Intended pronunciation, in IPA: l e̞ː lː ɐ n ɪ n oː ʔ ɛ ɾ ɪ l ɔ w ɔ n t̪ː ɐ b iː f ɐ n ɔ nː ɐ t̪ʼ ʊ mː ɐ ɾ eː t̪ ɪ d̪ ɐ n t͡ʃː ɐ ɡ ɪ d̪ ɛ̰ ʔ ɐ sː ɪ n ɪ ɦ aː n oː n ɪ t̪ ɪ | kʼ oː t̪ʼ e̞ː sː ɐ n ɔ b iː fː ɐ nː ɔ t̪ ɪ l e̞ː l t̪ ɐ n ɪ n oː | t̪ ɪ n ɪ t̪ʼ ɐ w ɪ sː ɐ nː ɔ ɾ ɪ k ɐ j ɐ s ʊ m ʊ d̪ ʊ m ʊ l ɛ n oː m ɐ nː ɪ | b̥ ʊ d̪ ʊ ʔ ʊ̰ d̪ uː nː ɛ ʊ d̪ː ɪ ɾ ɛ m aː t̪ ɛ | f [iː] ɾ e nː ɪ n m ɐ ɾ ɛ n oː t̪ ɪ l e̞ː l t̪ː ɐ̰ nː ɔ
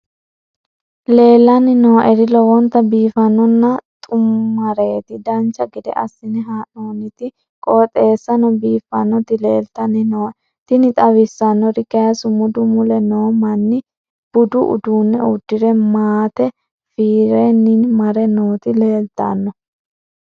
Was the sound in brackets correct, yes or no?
yes